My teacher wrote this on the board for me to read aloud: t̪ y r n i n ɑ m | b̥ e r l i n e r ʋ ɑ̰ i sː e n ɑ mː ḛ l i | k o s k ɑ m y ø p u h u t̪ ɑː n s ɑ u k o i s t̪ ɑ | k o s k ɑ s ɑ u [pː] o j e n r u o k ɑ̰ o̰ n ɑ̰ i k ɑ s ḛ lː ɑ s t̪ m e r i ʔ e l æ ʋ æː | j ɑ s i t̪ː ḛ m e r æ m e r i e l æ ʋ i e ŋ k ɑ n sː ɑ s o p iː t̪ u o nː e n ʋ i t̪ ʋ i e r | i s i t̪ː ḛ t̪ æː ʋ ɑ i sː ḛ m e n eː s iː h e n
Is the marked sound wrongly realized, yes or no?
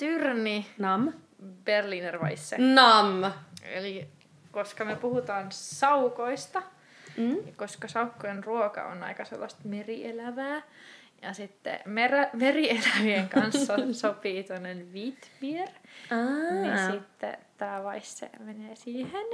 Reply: yes